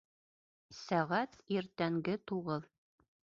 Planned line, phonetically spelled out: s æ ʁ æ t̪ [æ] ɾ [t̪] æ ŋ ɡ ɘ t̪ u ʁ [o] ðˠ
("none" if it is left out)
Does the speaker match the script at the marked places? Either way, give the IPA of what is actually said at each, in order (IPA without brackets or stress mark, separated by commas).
i, t̪, ɤ